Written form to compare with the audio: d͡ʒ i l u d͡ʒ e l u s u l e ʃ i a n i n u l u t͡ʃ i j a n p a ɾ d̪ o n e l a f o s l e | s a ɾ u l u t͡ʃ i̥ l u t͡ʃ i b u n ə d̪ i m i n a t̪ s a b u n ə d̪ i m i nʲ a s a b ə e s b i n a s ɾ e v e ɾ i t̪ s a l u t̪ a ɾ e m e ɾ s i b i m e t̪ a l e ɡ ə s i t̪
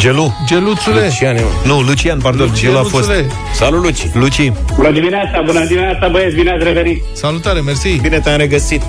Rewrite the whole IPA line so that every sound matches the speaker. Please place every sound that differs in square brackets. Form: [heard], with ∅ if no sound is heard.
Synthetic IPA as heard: d͡ʒ [e] l u d͡ʒ e l u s u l e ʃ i a n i n u l u t͡ʃ i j a n p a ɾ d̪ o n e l a f o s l e | s a [l] u l u t͡ʃ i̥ l u t͡ʃ i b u n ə d̪ i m i n a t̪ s a b u n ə d̪ i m i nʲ a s a b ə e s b i n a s ɾ e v e ɾ i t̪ s a l u t̪ a ɾ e m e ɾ s i b i [n] e t̪ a [ɾ] e ɡ ə s i t̪